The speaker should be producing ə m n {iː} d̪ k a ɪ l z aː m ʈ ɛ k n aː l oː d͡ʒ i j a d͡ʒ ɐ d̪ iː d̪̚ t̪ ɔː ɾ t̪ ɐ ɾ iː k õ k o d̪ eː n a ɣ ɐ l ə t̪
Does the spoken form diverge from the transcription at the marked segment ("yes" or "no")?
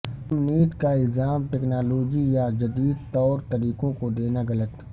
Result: no